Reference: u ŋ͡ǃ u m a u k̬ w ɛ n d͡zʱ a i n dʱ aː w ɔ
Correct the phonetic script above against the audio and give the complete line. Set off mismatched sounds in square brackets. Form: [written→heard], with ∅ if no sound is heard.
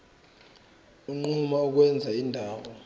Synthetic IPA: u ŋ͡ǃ u m a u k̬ w ɛ n d͡zʱ a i n dʱ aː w ɔ